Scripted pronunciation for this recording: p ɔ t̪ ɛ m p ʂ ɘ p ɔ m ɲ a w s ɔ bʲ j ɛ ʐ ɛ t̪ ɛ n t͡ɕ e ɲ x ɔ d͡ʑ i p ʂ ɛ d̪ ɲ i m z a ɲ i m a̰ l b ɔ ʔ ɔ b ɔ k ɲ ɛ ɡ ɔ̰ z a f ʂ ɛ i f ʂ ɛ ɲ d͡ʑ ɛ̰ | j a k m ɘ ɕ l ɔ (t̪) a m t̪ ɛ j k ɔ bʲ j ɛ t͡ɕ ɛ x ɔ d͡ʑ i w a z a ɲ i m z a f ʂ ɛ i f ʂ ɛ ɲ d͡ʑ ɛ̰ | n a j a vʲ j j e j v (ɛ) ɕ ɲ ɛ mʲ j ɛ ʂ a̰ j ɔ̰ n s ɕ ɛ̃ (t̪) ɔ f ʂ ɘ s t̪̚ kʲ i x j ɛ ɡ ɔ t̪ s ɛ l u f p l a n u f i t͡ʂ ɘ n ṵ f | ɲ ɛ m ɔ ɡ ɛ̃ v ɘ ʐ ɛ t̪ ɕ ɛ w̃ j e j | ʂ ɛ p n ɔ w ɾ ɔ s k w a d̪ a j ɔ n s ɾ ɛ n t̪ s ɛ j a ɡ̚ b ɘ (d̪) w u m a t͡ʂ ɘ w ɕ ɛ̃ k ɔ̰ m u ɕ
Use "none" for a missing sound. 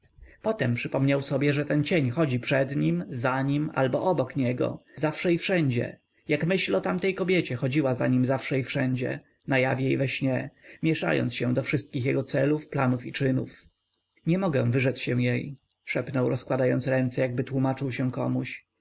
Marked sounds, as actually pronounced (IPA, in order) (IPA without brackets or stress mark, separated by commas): t̪, ɛ, d̪, t̪